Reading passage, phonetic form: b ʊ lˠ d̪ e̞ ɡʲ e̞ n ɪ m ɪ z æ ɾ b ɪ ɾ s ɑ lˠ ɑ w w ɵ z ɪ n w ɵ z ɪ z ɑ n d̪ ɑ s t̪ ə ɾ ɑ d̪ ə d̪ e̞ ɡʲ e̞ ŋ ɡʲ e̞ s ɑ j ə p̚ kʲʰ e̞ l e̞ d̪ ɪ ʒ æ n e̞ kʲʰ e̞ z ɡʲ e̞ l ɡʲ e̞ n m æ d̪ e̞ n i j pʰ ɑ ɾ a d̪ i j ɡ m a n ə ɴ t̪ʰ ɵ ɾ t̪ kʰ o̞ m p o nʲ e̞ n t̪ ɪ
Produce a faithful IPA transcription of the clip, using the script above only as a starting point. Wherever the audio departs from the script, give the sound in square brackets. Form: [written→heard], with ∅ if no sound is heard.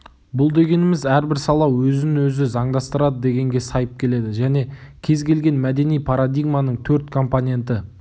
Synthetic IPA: b ʊ lˠ d̪ e̞ ɡʲ e̞ n ɪ m ɪ z æ ɾ b ɪ ɾ s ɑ lˠ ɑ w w ɵ z ɪ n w ɵ z ɪ z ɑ [n→ɴ] d̪ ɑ s t̪ ə ɾ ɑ d̪ ə d̪ e̞ ɡʲ e̞ ŋ ɡʲ e̞ s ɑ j ə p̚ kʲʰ e̞ l e̞ d̪ ɪ ʒ æ n e̞ kʲʰ e̞ z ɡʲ e̞ l ɡʲ e̞ n m æ d̪ e̞ n i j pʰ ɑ ɾ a d̪ i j ɡ m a n ə ɴ t̪ʰ ɵ ɾ t̪ kʰ o̞ m p o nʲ e̞ n t̪ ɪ